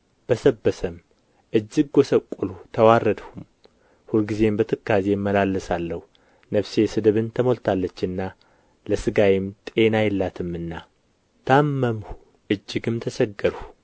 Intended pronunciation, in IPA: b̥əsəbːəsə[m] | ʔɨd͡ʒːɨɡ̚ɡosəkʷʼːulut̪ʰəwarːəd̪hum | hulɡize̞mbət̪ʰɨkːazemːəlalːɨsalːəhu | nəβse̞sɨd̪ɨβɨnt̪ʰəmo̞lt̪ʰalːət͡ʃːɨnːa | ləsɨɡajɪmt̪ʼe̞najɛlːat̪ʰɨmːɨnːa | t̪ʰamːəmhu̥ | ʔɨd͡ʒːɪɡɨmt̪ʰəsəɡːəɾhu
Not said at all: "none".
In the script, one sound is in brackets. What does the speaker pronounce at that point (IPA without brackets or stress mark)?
m